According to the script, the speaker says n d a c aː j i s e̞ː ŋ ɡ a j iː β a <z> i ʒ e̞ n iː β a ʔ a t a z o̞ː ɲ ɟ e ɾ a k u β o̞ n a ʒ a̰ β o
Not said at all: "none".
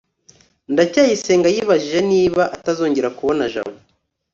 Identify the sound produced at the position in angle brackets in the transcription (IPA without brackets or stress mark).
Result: ʒ